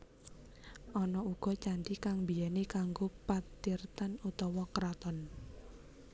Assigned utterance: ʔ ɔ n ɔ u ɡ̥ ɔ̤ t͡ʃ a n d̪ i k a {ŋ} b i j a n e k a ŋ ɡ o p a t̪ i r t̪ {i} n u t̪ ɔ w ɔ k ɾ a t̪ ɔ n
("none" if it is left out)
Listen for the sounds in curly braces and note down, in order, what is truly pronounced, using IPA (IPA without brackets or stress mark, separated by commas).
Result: ŋ, a